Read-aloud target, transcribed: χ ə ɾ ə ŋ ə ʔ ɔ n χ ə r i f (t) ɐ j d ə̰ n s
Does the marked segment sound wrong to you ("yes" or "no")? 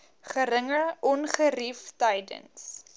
no